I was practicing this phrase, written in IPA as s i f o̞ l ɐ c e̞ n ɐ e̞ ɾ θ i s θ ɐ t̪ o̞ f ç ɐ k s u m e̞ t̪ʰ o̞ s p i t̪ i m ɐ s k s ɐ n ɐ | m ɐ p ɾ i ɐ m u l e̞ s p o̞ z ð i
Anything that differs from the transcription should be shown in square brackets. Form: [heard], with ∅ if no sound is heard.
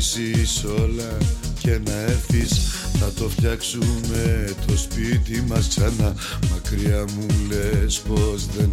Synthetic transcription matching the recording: s i [s] o̞ l ɐ c e̞ n ɐ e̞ ɾ θ i s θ ɐ t̪ o̞ f ç ɐ k s u m e̞ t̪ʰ o̞ s p i t̪ i m ɐ s k s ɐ n ɐ | m ɐ [k] ɾ i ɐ m u l e̞ s p o̞ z ð [e]